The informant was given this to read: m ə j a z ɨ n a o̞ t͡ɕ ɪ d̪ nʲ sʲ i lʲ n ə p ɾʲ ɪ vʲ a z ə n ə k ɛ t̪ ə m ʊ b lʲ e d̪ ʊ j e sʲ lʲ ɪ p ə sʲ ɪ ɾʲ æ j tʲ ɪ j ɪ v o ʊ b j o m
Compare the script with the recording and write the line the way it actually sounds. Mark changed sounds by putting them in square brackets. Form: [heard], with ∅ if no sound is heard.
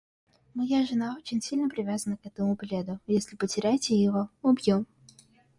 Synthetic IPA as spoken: m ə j a [ʐ] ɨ n a o̞ t͡ɕ ɪ [∅] nʲ sʲ i lʲ n ə p ɾʲ ɪ vʲ a z ə n ə k ɛ t̪ ə m ʊ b lʲ e d̪ ʊ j e sʲ lʲ ɪ p ə [tʲ] ɪ ɾʲ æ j tʲ ɪ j ɪ v o ʊ b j o m